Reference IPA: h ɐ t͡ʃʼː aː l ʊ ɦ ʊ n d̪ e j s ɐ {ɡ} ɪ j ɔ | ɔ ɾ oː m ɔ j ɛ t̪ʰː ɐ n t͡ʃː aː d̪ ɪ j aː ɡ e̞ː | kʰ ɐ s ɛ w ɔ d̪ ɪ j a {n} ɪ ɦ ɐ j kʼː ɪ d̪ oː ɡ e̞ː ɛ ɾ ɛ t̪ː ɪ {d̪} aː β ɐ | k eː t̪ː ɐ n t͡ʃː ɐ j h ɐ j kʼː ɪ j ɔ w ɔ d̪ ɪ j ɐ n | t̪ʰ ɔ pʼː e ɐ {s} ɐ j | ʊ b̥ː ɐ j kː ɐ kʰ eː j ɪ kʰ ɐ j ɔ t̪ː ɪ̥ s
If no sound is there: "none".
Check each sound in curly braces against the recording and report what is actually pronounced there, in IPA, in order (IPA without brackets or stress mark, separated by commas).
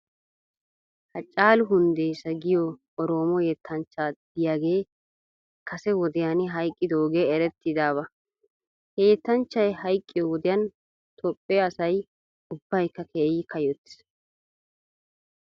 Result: ɡ, n, d̪, s